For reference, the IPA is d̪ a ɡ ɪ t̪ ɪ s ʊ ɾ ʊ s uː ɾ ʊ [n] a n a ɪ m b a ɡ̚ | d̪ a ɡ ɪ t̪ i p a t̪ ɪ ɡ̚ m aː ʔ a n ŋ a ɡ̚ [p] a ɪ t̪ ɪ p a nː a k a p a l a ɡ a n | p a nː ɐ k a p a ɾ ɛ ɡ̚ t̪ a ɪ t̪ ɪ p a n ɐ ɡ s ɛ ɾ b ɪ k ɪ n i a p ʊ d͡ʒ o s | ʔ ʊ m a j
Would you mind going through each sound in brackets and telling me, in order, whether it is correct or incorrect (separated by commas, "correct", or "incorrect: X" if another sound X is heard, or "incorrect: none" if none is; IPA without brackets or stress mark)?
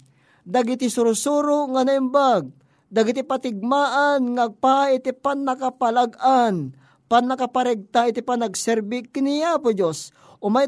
incorrect: ŋ, correct